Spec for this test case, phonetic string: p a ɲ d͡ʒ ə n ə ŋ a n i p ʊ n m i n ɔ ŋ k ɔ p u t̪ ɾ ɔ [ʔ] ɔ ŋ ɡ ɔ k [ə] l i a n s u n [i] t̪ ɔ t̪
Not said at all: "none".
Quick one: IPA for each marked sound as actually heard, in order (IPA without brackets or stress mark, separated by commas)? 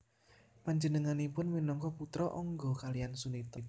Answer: ʔ, a, i